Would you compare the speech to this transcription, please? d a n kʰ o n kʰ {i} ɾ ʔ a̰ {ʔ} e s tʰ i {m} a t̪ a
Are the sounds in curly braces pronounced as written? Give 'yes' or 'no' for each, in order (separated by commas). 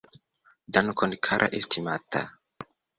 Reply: no, yes, yes